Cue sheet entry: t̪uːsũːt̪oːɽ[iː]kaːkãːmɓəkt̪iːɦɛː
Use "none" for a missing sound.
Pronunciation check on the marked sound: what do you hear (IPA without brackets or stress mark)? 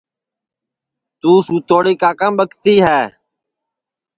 iː